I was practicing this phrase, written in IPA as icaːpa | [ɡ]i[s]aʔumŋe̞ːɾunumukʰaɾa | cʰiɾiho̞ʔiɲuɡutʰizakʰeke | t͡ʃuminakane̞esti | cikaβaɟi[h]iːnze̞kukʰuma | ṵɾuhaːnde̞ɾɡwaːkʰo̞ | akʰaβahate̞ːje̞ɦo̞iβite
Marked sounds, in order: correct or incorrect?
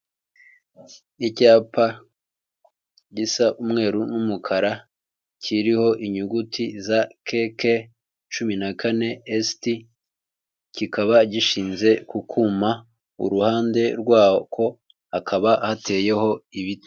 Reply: incorrect: ɟ, correct, incorrect: ʃ

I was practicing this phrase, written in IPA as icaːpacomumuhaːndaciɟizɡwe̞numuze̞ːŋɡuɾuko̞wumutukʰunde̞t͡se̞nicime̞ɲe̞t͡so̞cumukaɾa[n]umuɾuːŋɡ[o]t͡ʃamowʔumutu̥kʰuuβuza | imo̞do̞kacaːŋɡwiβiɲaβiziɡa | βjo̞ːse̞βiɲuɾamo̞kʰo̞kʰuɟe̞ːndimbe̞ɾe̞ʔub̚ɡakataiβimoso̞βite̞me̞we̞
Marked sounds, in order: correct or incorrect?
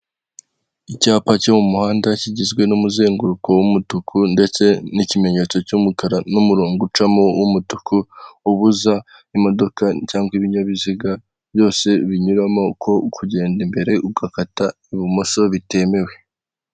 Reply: correct, incorrect: u

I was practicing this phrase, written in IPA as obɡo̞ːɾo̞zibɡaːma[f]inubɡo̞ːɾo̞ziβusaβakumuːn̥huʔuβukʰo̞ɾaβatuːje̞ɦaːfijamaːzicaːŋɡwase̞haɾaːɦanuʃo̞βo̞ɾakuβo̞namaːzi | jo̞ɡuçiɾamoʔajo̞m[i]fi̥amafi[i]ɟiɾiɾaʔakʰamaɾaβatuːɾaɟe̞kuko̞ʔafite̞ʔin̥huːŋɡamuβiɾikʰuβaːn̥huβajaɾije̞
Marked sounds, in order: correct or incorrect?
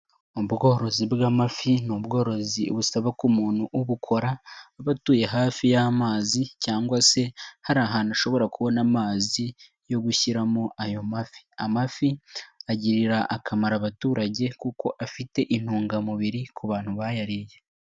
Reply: correct, incorrect: a, incorrect: a

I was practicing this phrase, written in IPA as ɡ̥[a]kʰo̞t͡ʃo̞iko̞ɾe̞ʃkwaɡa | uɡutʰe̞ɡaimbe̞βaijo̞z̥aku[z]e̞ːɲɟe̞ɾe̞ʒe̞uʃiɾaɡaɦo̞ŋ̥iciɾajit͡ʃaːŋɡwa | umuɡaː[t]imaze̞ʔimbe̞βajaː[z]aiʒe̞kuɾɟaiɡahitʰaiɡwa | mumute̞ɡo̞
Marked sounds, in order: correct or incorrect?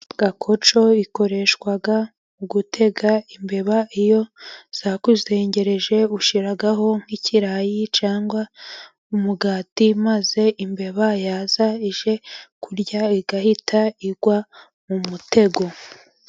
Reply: correct, correct, correct, correct

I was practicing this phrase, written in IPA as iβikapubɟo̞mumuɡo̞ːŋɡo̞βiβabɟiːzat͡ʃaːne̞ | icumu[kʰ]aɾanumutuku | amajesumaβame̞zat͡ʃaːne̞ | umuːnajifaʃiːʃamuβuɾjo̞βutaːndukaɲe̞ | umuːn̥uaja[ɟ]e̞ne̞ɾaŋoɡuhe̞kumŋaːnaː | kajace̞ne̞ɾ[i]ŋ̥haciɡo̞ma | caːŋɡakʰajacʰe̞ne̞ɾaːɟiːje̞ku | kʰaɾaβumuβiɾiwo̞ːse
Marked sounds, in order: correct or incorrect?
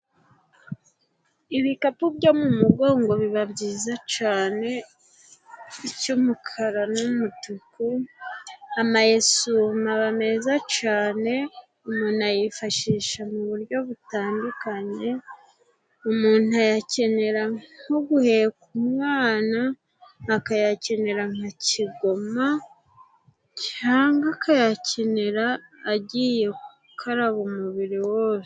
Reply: correct, incorrect: c, incorrect: a

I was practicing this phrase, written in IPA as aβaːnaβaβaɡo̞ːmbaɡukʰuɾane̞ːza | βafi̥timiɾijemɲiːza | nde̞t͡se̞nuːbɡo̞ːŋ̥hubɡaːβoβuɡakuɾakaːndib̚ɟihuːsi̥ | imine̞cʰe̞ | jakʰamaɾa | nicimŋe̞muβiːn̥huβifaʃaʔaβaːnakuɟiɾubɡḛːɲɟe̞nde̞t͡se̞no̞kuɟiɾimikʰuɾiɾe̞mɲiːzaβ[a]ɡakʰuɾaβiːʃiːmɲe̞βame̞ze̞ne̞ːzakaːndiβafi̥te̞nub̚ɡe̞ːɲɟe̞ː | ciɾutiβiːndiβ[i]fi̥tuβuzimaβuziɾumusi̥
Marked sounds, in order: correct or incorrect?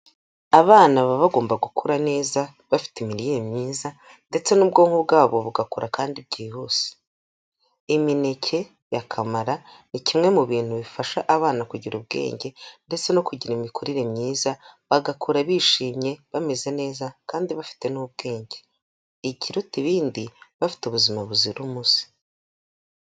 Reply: correct, incorrect: a

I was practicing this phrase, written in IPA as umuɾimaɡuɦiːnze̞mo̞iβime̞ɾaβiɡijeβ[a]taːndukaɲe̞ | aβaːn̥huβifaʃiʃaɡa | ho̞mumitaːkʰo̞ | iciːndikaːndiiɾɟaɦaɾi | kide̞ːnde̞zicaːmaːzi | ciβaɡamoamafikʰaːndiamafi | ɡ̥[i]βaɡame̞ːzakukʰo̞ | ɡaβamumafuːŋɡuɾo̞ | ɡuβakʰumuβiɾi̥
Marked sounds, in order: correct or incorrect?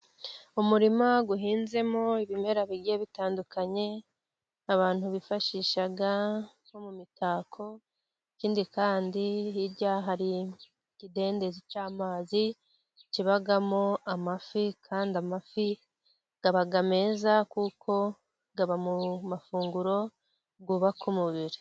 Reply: incorrect: i, incorrect: a

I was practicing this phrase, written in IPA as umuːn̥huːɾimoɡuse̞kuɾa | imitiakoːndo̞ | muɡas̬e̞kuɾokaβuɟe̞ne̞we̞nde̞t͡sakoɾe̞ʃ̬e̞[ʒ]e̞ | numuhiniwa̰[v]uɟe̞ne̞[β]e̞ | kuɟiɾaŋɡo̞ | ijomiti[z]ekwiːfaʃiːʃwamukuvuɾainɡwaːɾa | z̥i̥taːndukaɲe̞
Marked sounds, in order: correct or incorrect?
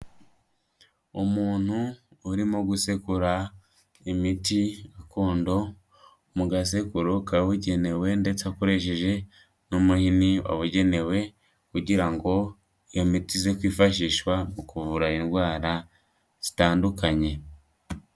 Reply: correct, incorrect: β, incorrect: w, correct

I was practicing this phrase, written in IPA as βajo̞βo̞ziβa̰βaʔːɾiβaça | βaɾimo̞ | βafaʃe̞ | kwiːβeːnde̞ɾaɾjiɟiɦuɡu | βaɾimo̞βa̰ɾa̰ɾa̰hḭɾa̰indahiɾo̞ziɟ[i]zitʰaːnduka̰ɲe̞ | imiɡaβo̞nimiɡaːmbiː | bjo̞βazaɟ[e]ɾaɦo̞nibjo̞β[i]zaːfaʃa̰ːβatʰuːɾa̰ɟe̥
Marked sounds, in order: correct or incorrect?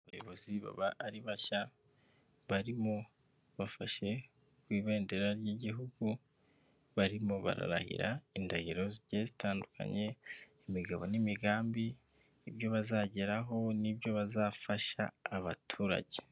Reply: incorrect: e, correct, incorrect: a

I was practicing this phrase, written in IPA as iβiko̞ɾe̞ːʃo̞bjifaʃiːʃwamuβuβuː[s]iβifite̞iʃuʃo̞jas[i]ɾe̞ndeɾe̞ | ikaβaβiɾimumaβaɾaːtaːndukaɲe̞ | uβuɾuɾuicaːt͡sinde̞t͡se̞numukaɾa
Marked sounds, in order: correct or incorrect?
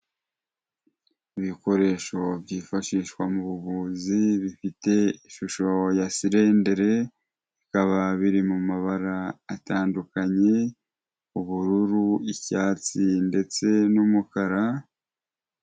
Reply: incorrect: z, correct

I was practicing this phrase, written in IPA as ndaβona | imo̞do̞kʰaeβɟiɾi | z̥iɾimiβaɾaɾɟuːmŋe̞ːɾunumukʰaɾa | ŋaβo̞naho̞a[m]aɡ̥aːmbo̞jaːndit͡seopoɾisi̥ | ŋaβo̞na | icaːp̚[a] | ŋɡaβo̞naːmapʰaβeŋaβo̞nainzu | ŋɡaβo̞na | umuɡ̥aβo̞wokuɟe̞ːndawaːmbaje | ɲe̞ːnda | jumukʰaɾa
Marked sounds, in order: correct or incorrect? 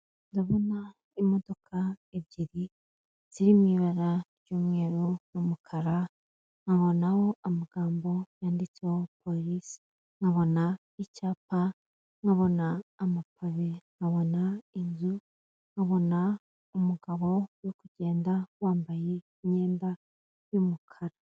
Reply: correct, correct

